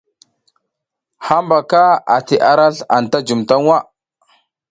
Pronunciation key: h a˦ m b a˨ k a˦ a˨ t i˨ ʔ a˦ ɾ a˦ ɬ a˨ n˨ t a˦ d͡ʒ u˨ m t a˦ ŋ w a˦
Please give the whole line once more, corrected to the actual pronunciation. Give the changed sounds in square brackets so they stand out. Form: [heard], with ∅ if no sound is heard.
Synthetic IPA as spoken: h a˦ m b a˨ k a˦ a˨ t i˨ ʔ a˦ ɾ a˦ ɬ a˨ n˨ t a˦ d͡ʒ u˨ m t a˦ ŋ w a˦

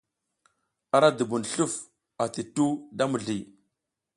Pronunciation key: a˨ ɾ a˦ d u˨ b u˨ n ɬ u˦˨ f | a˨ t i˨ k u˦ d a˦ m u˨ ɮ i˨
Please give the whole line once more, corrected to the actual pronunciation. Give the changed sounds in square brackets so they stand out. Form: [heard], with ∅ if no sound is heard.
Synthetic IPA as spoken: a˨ ɾ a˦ d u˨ b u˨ n ɬ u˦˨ f | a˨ t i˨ [t] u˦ d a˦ m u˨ ɮ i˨

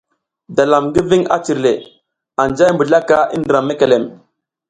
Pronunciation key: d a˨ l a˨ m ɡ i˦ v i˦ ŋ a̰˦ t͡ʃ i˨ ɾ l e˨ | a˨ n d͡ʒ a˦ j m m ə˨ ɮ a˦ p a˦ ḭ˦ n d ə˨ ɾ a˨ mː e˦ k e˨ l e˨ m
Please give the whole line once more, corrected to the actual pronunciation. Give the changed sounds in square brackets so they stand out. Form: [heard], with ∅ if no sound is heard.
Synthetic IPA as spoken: d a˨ l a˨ m ɡ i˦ v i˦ ŋ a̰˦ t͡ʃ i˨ ɾ l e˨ | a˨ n d͡ʒ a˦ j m [b] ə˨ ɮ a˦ [k] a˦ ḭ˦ n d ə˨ ɾ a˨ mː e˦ k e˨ l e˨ m

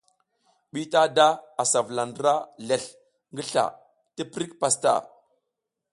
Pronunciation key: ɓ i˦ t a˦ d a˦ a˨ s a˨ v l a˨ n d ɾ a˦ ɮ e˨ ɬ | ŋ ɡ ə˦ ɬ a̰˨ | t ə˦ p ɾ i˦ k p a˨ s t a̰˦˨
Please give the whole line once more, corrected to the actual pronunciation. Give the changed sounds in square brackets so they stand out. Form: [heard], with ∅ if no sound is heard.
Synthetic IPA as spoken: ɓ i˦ t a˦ d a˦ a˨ s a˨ v l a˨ n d ɾ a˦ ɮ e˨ ɬ | ŋ ɡ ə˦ ɬ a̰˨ | t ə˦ p ɾ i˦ k p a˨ s t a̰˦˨

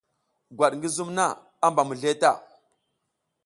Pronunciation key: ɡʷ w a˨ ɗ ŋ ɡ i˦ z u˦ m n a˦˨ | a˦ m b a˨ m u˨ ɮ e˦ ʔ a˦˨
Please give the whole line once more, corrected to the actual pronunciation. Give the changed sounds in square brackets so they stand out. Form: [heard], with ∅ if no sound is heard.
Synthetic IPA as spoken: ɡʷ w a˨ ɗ ŋ ɡ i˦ z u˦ m n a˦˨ | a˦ m b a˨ m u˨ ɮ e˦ [t] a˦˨

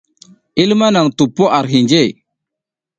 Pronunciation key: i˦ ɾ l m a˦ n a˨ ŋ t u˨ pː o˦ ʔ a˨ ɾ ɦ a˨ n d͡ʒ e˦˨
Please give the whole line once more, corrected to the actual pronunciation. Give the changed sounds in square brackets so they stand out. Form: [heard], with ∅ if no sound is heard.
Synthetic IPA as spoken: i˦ [∅] l m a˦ n a˨ ŋ t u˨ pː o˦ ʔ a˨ ɾ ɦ [i˨] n d͡ʒ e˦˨

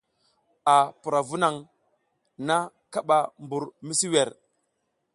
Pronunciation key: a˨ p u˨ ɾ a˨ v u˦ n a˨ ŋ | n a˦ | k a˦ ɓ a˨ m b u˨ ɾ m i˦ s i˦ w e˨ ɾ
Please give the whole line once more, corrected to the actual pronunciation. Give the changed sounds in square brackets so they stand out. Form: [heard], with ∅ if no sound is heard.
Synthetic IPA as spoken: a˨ p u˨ ɾ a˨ v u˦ n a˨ ŋ | n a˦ | k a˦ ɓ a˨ m b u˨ ɾ m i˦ s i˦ w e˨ ɾ

